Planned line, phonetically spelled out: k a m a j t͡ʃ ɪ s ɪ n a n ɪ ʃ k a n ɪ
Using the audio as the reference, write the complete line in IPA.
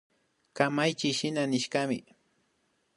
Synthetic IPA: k a m a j t͡ʃ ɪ ʃ ɪ n a n ɪ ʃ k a m ɪ